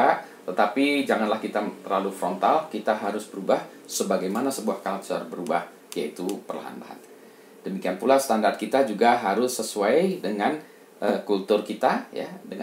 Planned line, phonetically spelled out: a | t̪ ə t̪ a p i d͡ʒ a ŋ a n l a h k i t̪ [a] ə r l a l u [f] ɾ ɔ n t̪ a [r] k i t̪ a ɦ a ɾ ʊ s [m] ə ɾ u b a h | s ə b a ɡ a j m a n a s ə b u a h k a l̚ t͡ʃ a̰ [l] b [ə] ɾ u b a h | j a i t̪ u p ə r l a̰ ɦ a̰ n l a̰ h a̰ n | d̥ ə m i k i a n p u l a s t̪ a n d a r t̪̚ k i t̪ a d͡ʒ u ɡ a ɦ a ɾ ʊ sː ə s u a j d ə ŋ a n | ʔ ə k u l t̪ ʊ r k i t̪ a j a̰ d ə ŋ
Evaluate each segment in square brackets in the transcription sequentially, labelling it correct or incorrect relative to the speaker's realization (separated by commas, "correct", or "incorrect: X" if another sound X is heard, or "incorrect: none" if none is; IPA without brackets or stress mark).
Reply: correct, correct, incorrect: l, incorrect: b, incorrect: r, correct